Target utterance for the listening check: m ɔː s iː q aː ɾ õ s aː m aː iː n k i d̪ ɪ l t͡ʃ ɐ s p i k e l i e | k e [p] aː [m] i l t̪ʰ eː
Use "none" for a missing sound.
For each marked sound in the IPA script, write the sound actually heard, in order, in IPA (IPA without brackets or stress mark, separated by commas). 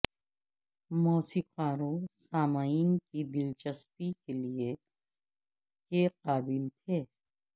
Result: q, b